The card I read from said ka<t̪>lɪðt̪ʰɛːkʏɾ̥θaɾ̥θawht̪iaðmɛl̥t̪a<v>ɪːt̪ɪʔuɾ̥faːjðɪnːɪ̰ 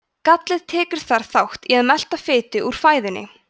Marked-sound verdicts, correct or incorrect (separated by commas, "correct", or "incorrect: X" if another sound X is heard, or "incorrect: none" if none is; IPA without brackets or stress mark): correct, incorrect: f